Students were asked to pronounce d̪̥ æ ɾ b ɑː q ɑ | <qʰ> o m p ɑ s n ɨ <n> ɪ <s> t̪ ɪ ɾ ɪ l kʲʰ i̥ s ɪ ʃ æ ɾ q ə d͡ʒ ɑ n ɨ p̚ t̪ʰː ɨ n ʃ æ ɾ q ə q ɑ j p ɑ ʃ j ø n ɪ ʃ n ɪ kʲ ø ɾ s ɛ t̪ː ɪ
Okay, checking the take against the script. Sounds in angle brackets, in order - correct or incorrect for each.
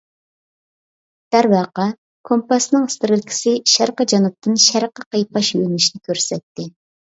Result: incorrect, incorrect, correct

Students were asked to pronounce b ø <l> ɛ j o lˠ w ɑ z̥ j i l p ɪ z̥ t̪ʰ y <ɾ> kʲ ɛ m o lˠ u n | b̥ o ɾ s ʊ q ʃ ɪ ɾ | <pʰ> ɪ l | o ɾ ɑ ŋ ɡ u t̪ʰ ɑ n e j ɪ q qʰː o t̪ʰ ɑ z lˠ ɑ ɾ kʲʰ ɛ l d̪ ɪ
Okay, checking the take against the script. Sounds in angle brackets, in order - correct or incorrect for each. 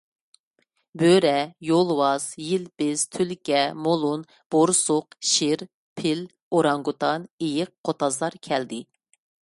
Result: incorrect, incorrect, correct

